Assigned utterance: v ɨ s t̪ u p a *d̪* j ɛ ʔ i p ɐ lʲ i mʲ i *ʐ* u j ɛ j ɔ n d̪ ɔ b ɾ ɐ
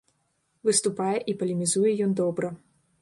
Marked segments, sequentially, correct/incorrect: incorrect, incorrect

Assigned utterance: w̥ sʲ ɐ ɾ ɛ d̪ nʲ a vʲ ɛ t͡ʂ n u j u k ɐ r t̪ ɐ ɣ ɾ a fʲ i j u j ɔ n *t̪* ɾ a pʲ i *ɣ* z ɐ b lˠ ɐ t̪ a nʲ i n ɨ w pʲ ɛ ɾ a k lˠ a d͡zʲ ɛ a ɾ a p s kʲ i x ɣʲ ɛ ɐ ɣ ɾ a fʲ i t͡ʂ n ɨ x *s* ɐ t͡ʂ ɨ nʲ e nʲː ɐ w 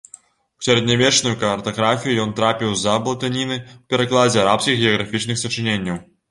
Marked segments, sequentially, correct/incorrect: correct, incorrect, correct

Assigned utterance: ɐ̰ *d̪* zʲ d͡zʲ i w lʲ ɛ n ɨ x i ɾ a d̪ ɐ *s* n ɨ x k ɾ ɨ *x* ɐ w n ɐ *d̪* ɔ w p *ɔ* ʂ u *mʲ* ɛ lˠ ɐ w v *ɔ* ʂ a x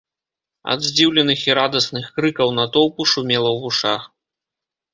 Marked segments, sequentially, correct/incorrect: correct, correct, incorrect, incorrect, incorrect, correct, incorrect

